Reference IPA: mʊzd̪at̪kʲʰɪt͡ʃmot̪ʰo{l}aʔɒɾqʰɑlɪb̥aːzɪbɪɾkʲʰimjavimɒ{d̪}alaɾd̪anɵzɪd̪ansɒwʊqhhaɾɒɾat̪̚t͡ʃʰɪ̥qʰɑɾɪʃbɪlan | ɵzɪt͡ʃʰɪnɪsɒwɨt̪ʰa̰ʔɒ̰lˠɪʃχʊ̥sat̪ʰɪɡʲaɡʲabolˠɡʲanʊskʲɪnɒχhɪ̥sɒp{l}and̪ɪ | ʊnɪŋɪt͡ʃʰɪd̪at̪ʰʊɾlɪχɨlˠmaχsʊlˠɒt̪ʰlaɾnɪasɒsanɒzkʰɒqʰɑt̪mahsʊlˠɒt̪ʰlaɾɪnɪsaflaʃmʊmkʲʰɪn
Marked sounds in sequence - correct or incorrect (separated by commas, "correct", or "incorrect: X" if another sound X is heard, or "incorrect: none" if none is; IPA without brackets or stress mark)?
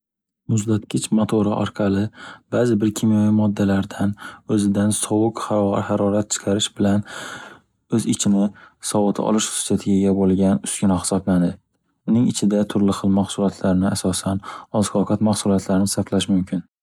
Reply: incorrect: ɾ, incorrect: d̪ː, correct